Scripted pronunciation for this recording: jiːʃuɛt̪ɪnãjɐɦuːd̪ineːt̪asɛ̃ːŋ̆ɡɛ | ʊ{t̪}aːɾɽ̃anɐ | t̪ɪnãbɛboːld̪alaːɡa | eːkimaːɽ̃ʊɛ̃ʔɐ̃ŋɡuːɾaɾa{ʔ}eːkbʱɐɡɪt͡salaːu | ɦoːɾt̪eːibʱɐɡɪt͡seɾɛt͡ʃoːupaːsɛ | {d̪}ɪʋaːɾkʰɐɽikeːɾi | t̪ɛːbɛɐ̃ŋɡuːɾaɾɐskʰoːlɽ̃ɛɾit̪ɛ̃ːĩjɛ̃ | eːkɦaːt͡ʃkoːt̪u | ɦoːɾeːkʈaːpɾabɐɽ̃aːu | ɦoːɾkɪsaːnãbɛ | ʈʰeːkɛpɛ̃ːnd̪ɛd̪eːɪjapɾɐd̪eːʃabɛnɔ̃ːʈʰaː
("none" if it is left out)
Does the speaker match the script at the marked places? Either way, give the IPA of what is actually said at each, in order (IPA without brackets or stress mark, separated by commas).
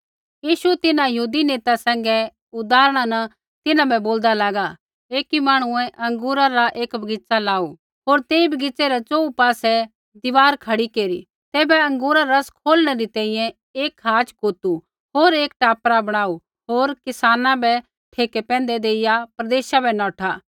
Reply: d̪, ʔ, d̪